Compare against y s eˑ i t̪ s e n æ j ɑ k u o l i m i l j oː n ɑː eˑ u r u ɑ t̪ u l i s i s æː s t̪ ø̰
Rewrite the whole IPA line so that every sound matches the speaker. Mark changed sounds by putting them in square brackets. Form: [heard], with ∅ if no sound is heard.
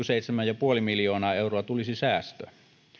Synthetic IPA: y s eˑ i t̪ s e [m] æ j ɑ [p] u o l i m i l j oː n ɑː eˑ u r [o] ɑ t̪ u l i s i s æː s t̪ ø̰